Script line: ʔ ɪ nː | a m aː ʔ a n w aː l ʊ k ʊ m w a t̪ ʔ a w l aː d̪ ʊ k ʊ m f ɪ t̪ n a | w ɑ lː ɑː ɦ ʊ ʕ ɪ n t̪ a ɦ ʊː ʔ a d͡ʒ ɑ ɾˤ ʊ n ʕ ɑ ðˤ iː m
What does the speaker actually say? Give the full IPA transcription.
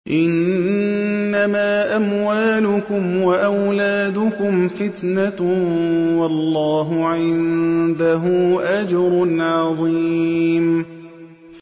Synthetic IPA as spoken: ʔ ɪ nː | a m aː ʔ a m w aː l ʊ k ʊ m w a ʔ a w l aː d̪ ʊ k ʊ m f ɪ t̪ n a | w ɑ lː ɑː ɦ ʊ ʕ ɪ n d̪ a ɦ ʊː ʔ a d͡ʒ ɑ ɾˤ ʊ n ʕ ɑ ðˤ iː m